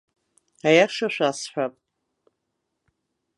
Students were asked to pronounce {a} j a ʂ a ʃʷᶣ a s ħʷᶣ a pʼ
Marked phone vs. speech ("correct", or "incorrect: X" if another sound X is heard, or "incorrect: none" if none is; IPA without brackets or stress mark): correct